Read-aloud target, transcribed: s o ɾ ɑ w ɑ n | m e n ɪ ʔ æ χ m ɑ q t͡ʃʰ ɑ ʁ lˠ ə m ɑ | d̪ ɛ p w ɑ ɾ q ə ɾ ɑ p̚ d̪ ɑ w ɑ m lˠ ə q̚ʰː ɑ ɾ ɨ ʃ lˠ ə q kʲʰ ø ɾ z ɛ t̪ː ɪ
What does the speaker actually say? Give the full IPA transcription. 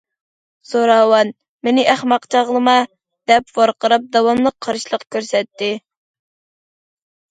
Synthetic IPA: s o ɾ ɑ w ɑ n | m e n ɪ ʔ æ χ m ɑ q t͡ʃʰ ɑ ʁ lˠ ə m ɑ | d̪ ɛ p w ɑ ɾ q ə ɾ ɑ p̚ d̪ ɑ w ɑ m lˠ ə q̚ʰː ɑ ɾ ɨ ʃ lˠ ə q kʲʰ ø ɾ s ɛ t̪ː ɪ